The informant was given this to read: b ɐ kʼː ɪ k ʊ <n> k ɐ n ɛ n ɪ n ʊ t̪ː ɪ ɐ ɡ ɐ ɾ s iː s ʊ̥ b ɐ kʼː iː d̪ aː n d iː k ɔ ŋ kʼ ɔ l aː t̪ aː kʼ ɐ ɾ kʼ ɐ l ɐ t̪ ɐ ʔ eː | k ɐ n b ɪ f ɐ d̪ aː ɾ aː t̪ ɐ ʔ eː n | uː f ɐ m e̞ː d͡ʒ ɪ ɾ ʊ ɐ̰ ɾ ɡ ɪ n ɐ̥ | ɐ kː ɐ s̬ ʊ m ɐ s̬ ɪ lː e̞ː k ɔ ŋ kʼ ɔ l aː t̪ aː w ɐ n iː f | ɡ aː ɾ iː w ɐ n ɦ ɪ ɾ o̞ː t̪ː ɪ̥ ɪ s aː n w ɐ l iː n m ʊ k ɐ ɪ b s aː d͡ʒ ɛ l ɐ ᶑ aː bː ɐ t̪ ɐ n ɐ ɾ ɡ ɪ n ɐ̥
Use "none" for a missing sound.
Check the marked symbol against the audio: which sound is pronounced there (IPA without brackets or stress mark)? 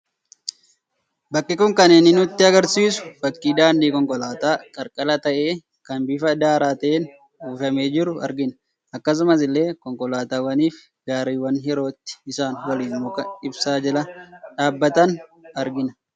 ŋ